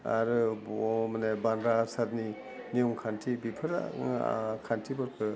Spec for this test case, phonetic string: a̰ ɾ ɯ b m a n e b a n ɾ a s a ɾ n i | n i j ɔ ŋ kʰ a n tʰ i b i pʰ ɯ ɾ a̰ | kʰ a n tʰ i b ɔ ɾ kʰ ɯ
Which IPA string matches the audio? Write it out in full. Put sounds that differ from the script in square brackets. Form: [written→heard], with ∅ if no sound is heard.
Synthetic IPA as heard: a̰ ɾ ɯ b m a n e b a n ɾ a s a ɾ n i | n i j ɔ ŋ kʰ a n tʰ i b i pʰ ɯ ɾ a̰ | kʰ a n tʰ i b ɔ ɾ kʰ ɯ

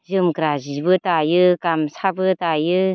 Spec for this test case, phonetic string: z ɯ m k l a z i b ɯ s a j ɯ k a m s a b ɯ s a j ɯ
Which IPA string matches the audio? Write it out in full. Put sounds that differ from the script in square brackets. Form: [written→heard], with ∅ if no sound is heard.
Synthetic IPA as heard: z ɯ m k [l→ɾ] a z i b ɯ [s→t] a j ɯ k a m s a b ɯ [s→t] a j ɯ

